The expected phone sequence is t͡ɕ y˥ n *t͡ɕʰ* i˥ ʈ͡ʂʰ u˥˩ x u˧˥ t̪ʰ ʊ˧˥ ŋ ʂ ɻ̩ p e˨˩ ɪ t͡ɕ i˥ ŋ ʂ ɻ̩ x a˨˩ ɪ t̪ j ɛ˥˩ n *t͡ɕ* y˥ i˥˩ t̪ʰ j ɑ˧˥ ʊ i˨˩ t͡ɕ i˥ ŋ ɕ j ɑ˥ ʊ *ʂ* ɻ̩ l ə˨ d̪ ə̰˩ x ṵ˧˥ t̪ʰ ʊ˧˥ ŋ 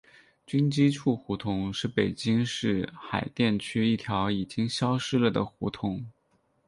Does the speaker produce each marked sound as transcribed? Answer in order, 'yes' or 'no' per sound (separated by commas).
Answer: no, no, yes